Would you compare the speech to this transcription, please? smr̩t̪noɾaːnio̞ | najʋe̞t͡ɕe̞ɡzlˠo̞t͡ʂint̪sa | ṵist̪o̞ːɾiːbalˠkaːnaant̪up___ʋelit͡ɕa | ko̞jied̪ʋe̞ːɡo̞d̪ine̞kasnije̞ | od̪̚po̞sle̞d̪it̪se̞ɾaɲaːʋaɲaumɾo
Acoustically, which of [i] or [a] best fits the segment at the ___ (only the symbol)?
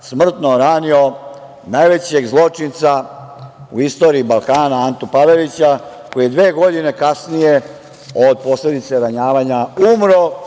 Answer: a